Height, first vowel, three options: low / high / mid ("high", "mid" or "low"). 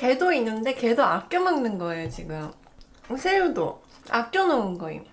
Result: mid